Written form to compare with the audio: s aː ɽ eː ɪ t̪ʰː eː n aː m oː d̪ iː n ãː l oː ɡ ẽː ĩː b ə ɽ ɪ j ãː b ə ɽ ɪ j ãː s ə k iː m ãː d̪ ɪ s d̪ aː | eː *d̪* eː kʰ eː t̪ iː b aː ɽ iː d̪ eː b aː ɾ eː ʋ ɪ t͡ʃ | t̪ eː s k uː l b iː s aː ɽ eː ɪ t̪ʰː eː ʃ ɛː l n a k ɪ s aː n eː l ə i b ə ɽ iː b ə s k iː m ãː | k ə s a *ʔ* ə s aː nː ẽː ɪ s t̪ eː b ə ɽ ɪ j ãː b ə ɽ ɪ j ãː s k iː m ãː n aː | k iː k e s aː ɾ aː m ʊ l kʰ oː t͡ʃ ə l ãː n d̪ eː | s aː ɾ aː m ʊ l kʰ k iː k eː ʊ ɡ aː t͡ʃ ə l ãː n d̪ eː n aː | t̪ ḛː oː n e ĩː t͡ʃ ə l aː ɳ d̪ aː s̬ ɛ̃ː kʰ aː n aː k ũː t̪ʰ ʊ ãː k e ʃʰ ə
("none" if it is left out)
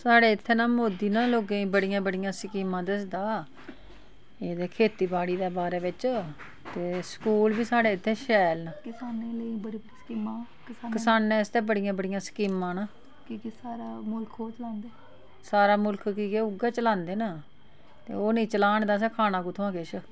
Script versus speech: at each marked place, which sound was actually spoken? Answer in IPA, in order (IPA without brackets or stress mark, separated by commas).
d̪, k